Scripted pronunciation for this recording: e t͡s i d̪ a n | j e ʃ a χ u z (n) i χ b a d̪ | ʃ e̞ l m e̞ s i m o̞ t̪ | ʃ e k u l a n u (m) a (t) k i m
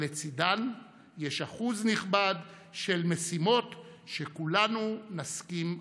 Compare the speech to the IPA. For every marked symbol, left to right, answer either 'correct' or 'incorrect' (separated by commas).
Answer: correct, incorrect, incorrect